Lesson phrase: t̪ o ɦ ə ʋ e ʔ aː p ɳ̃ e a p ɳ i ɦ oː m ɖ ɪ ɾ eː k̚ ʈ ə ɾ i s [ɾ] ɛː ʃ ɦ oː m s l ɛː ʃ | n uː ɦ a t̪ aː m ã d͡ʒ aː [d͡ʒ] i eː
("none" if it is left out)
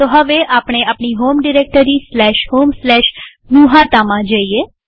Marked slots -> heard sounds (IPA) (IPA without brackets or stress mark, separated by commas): l, none